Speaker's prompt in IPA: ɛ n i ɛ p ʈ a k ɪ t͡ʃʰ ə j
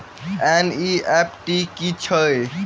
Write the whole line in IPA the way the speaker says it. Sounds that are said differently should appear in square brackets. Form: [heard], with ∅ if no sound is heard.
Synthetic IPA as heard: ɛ n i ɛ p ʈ [i] k [i] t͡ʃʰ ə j